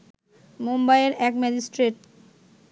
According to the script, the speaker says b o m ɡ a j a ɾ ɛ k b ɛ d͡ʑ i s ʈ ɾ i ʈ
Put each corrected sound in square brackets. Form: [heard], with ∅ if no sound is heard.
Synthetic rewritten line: [m] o m [b] a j [e] ɾ ɛ k [m] ɛ d͡ʑ i s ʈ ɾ [e] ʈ

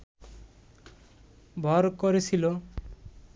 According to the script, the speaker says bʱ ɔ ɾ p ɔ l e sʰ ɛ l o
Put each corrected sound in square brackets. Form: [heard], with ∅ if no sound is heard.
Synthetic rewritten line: bʱ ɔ ɾ [k] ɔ [ɾ] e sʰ [i] l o

